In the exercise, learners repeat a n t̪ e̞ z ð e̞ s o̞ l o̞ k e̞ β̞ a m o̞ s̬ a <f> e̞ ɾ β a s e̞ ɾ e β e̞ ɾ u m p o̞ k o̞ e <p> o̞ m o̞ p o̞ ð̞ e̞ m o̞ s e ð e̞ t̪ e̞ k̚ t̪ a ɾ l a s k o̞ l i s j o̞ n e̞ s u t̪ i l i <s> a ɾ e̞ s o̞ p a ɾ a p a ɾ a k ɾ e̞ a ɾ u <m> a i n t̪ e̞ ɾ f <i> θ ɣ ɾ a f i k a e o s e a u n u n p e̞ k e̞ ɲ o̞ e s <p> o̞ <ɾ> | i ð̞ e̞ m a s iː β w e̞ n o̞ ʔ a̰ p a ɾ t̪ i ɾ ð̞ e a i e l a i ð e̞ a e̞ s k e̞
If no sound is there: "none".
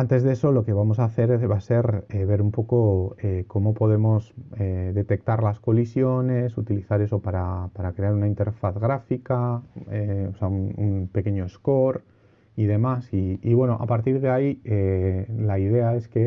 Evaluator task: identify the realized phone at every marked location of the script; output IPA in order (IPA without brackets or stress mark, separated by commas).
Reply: θ, k, θ, n, a, k, ɾ